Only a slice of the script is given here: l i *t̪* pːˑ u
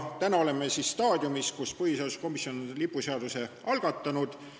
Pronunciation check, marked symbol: incorrect: none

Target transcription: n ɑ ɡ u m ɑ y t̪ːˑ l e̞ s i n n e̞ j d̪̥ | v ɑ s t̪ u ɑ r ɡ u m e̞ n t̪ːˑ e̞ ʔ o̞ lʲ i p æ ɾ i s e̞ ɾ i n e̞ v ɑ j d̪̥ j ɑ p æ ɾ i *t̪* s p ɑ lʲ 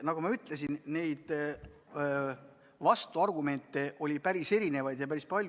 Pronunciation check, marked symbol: incorrect: none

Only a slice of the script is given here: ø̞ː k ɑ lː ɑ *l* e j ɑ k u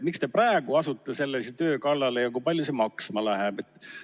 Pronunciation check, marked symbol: correct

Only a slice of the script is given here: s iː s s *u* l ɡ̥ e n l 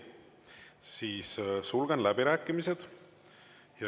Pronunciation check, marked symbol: correct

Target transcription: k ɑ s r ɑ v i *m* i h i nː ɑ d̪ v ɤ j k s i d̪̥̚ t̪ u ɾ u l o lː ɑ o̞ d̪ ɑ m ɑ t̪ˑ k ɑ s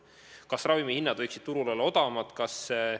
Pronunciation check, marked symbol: correct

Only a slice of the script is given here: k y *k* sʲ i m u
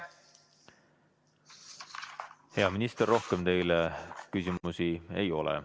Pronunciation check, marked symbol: incorrect: none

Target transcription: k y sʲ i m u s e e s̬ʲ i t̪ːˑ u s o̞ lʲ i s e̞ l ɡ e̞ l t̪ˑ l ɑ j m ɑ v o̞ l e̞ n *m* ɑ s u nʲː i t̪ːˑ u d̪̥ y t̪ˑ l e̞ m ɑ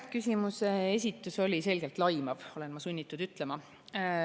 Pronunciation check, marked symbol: correct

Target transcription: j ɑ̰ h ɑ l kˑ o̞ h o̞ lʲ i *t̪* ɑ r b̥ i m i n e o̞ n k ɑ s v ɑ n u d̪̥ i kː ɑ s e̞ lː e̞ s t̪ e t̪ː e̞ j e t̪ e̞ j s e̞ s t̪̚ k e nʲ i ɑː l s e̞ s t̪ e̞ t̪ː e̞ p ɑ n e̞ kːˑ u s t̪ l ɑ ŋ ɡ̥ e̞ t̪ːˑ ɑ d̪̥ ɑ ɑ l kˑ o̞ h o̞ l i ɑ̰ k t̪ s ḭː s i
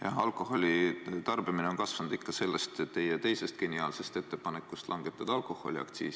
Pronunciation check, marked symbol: correct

